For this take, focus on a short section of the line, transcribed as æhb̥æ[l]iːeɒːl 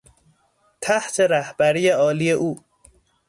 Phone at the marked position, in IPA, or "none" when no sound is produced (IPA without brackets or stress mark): ɾ